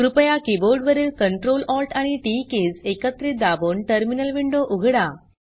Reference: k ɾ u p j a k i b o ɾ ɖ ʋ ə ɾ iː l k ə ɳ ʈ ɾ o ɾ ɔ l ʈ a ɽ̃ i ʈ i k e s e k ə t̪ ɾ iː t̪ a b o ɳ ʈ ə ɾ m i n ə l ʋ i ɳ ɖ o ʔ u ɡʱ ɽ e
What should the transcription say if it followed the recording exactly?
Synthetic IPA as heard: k ɾ u p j a k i b o ɾ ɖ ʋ ə ɾ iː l k ə ɳ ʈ ɾ o l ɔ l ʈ a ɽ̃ i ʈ i k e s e k ə t̪ ɾ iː d̪ a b o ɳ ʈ ə ɾ m i n ə l ʋ i ɳ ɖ o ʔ u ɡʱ ɽ a

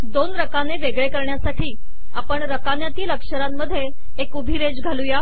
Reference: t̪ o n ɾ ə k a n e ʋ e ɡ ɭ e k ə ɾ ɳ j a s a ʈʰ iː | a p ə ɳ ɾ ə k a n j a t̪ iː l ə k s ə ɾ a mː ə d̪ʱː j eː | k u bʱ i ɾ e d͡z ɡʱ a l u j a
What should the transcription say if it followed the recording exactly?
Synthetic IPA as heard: d̪ o n ɾ ə k a n e ʋ e ɡ ɭ e k ə ɾ ɳ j a s a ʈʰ iː | a p ə ɳ ɾ ə k a n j a t̪ iː l ə k ʂ ə ɾ a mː ə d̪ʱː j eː | k u bʱ i ɾ e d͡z ɡʱ a l u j a

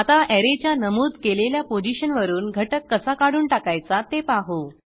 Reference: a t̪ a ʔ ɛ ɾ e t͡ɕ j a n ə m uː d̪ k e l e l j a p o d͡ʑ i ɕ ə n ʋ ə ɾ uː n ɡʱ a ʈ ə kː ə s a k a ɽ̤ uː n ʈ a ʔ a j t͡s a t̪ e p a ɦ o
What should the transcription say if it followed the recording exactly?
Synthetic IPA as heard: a t̪ a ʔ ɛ ɾ e t͡ɕ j a n ə m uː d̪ k e l e l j a p o d͡ʑ i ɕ ə n ʋ ə ɾ uː n ɡʱ ə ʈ ə kː ə s a k a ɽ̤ uː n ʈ a k a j t͡s a t̪ e p a ɦ o

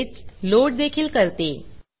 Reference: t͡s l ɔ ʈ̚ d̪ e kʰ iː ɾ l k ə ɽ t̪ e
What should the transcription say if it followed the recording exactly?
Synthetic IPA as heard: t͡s l o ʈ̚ d̪ e kʰ iː l k ə ɾ t̪ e

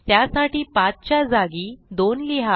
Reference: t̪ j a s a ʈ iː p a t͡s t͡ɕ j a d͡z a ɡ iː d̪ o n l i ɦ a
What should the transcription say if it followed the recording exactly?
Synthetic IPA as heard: t̪ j a s a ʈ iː p a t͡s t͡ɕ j a d͡z a ɡ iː d̪ o n l i ɦ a

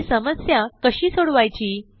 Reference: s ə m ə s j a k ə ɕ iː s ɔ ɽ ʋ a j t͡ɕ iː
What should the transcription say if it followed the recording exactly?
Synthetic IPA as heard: s ə m ə s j a k ə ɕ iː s o ɽ ʋ a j t͡ɕ iː

